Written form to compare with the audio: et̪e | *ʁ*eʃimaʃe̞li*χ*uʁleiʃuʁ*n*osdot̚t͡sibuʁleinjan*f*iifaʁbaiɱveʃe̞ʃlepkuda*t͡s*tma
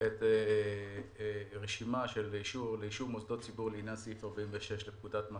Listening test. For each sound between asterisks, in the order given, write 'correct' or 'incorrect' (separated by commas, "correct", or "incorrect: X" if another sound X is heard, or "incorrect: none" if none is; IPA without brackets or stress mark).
correct, incorrect: ʃ, incorrect: m, incorrect: s, incorrect: none